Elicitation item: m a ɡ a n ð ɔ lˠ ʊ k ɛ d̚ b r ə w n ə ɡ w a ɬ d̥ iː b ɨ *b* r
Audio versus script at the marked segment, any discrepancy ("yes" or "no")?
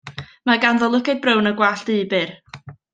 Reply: yes